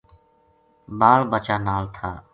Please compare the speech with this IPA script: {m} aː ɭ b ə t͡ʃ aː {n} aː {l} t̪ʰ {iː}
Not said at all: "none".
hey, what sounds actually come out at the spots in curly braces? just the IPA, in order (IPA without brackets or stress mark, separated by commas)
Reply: b, n, l, aː